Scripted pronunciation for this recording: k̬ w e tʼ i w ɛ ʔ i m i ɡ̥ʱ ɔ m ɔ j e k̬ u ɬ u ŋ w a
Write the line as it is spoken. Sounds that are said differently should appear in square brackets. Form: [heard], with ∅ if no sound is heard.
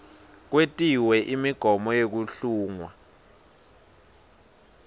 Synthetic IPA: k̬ w e tʼ i w ɛ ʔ i m i ɡ̥ʱ ɔ m ɔ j e k̬ u ɬ [uː] ŋ w a